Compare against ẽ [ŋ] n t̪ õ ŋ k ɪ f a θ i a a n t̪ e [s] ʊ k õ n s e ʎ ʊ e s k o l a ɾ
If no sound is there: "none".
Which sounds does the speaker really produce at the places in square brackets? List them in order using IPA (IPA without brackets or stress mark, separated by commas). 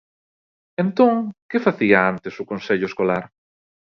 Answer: none, s